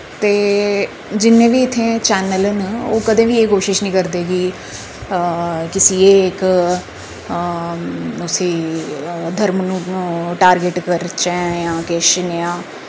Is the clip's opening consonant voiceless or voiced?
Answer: voiceless